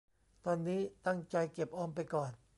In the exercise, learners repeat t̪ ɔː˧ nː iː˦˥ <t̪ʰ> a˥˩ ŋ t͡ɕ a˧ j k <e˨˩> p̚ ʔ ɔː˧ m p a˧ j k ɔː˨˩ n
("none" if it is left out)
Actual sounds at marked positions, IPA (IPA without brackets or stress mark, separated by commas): t̪, e˨˩